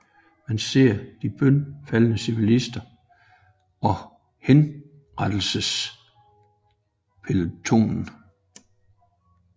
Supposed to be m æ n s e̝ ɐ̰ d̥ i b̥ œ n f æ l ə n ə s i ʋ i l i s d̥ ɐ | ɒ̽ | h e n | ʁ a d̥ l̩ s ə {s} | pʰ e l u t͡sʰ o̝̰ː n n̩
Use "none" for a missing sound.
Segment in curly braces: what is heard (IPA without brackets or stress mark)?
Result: s